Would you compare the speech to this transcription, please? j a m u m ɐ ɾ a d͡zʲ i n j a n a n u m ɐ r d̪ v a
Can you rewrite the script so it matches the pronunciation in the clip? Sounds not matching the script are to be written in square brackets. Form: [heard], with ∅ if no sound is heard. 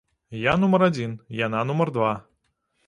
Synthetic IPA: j a [n] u m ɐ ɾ a d͡zʲ i n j a n a n u m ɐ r d̪ v a